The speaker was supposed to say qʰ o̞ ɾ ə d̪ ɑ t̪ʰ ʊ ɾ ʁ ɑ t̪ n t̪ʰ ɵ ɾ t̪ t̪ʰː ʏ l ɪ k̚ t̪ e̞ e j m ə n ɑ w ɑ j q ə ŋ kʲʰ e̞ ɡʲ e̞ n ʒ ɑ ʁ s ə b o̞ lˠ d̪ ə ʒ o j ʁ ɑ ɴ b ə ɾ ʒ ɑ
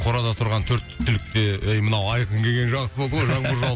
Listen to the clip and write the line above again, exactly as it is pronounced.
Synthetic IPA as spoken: qʰ o̞ ɾ ɑ d̪ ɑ t̪ʰ ʊ ɾ ʁ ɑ n t̪ʰ ɵ ɾ t̪ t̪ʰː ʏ l ɪ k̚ t̪ e̞ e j m ə n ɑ w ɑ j q ə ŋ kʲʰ e̞ ɡʲ e̞ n ʒ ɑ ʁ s ə b o̞ lˠ d̪ ə ʁ o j ʒ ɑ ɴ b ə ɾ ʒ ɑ